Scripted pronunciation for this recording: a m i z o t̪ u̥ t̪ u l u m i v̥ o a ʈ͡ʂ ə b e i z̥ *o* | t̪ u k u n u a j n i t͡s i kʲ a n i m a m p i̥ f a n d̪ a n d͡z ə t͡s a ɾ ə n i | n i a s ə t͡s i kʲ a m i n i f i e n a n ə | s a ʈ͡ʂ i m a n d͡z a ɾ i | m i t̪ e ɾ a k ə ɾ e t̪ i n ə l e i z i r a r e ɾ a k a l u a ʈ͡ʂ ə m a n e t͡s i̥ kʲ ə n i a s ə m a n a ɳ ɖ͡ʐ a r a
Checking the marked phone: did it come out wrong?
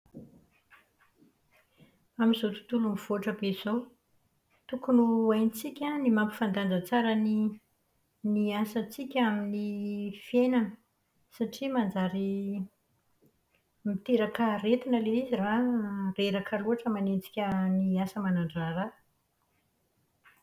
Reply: no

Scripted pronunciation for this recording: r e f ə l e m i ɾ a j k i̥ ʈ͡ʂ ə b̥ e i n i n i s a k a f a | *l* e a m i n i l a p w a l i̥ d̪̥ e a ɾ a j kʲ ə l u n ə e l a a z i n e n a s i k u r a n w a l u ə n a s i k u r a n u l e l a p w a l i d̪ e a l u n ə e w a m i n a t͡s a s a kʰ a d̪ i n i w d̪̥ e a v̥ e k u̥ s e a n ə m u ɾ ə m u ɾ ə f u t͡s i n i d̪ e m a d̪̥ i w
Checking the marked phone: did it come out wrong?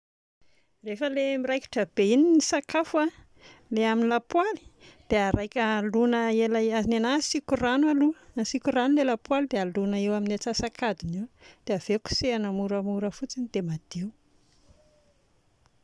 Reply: no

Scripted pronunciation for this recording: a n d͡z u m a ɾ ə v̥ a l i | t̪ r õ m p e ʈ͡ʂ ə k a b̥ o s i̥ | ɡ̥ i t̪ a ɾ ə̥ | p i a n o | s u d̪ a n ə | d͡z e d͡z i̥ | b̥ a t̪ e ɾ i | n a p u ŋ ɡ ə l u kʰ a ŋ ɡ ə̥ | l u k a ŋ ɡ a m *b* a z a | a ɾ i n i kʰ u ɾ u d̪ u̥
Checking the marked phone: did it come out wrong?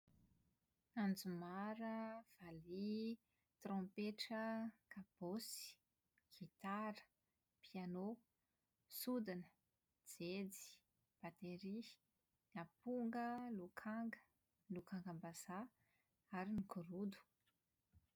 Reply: no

